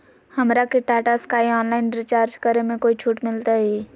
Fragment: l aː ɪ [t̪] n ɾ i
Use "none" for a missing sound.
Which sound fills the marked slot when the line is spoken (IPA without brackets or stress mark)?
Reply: none